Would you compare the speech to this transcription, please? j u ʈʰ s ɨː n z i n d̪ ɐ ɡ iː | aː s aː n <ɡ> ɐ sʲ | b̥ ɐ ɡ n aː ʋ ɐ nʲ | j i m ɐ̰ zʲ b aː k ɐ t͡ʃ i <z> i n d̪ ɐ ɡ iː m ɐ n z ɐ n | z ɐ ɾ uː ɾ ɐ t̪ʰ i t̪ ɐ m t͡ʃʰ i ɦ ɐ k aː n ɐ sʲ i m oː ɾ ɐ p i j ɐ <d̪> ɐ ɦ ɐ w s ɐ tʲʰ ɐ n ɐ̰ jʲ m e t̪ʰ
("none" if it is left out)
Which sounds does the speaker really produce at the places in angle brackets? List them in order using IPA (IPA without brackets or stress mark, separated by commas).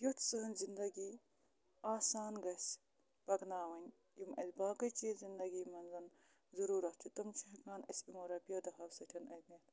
ɡ, z, d̪